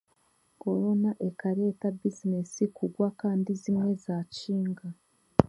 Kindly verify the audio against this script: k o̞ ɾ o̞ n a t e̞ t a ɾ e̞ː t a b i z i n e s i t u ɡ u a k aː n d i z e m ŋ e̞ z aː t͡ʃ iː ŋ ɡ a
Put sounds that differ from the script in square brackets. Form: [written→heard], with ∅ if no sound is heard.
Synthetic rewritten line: k o̞ ɾ o̞ n a [t→ʔ] e̞ [t→k] a ɾ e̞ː t a b i z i n e s i [t→k] u ɡ [u→w] a k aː n d i z [e→i] m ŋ e̞ z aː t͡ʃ iː ŋ ɡ a